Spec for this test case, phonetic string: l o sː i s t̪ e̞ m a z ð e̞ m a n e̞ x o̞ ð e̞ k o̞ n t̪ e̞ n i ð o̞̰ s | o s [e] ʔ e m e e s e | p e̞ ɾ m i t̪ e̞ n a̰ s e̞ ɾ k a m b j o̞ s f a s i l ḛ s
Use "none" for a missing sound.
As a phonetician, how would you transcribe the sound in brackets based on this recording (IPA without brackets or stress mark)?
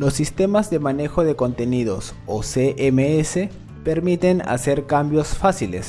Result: e